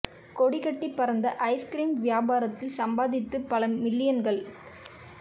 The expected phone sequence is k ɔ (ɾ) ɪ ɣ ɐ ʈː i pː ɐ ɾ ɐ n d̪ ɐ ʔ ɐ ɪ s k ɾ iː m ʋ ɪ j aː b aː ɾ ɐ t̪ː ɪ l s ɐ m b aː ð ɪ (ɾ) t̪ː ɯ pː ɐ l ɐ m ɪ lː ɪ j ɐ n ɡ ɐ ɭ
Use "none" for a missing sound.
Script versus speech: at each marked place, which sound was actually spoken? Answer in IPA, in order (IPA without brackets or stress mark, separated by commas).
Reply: ɽ, none